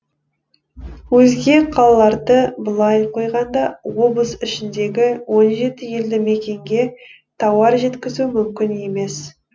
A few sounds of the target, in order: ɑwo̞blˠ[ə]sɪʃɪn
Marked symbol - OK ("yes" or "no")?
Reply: yes